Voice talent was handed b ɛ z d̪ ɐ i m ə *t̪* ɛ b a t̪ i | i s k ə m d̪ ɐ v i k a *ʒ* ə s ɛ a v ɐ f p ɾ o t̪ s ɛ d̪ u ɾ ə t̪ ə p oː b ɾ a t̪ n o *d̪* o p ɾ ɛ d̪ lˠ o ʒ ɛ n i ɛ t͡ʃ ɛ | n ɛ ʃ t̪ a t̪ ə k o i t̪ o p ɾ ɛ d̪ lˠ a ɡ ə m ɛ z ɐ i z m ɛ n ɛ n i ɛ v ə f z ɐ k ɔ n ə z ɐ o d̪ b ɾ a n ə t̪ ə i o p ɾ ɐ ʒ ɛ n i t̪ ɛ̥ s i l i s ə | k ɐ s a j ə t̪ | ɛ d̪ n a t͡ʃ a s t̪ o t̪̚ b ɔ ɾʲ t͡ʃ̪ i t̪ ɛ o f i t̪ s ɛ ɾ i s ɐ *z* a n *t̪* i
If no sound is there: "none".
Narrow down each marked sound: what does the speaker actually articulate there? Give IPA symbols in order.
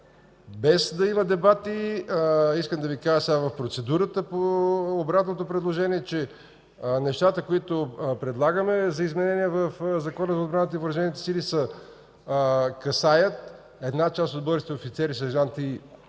d̪, ʒ, t̪, ʒ, t̪

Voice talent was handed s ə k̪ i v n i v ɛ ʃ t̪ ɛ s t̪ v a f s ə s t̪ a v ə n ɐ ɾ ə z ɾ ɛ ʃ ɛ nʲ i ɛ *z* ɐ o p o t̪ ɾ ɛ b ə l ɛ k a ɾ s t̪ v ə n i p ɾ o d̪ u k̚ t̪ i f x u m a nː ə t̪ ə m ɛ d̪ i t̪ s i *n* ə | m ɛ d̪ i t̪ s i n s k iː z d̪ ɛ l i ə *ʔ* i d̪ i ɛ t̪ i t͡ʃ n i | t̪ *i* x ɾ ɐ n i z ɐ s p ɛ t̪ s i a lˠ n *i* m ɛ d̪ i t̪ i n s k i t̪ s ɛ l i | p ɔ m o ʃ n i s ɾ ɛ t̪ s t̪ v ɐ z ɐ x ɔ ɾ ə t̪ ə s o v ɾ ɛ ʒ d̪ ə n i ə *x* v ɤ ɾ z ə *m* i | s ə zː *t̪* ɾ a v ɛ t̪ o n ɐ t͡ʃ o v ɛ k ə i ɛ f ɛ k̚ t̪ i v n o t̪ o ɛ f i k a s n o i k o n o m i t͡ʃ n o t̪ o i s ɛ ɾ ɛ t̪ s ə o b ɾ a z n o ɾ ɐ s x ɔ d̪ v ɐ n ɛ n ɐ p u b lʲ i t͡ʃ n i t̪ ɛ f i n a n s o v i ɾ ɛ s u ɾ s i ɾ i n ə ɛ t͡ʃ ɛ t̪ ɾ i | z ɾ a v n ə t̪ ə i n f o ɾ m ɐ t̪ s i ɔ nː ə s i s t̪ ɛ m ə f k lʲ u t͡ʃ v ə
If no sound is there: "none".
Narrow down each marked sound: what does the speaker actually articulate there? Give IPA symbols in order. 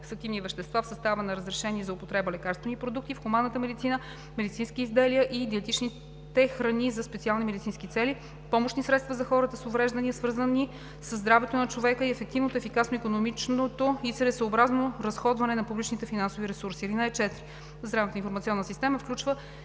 z, n, ʔ, ɛ, i, s, n, d̪

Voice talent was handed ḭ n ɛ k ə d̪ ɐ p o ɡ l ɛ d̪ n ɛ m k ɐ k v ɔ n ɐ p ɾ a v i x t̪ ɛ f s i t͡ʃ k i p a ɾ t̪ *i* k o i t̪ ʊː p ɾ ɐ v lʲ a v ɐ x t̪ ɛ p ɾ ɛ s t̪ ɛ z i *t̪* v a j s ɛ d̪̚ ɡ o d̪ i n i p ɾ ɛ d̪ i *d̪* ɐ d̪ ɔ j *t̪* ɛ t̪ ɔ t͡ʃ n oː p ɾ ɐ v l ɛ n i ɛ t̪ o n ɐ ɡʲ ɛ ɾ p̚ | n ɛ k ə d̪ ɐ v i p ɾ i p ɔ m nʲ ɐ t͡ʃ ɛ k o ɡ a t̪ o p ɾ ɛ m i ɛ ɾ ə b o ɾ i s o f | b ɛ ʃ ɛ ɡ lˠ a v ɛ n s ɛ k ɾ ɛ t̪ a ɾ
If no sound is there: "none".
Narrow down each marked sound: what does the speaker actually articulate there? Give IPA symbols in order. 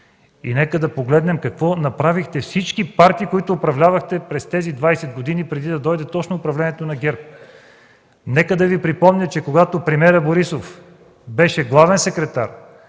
iː, d̪, d̪, d̪

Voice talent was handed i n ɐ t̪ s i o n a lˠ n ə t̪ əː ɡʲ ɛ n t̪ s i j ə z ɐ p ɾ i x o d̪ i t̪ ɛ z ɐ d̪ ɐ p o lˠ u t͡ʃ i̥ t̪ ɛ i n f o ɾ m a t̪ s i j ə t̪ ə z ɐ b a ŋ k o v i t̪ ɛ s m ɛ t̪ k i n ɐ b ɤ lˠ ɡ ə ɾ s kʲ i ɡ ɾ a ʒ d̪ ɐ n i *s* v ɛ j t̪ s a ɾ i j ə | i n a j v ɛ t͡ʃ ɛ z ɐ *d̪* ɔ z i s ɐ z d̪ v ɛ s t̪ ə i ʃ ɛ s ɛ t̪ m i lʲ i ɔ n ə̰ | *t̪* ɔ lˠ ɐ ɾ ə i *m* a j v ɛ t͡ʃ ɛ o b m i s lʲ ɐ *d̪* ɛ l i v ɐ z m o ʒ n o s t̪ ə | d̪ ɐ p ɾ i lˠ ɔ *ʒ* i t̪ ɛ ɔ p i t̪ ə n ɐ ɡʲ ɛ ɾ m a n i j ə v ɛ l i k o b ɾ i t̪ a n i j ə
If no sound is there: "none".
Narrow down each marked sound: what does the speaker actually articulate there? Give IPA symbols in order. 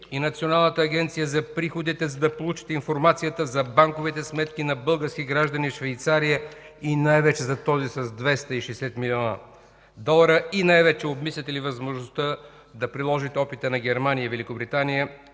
ʃ, t̪, d̪, n, t̪, ʒ

